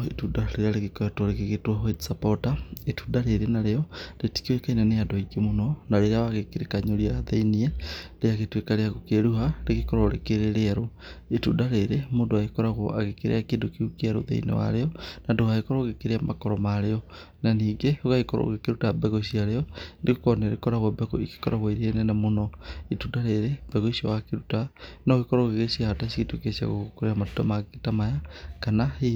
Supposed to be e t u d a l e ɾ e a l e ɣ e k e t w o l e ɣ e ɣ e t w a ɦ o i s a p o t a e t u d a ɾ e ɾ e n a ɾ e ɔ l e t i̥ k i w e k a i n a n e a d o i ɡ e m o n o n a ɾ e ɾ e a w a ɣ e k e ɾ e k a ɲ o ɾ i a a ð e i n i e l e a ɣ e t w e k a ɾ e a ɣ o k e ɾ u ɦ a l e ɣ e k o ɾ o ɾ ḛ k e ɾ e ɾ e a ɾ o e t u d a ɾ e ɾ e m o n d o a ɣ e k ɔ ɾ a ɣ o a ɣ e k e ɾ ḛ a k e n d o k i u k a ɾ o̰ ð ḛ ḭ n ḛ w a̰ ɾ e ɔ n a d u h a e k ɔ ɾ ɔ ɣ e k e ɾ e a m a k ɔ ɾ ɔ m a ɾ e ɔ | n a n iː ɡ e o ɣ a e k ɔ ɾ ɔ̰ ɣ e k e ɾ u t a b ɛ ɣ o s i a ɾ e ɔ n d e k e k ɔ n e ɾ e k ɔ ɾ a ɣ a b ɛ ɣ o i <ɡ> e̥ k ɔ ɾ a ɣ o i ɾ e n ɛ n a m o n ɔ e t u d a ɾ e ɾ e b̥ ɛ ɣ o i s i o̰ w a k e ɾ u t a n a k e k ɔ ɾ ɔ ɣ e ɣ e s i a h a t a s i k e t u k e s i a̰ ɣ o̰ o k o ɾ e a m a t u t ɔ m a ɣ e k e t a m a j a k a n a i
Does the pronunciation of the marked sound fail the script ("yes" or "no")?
yes